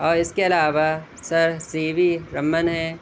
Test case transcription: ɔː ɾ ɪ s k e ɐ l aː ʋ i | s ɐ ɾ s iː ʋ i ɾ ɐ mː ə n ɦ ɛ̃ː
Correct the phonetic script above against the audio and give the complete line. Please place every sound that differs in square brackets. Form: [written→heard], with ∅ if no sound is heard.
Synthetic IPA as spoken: ɔː ɾ ɪ s k e ɐ l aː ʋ [i→a] | s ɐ ɾ s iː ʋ i ɾ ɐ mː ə n ɦ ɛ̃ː